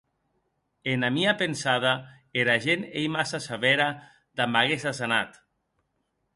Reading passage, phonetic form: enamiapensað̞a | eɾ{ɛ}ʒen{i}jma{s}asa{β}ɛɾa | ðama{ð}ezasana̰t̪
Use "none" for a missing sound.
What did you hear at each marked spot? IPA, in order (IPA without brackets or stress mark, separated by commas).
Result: a, e, s, β, ɣ